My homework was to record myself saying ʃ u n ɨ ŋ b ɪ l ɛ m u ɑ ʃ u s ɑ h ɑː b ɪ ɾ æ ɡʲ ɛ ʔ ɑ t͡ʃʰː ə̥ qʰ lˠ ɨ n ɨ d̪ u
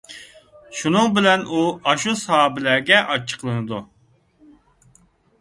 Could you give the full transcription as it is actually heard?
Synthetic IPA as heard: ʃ u n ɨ ŋ b ɪ l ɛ n u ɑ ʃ u s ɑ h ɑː b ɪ l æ ɡʲ ɛ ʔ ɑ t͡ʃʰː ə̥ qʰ lˠ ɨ n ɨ d̪ u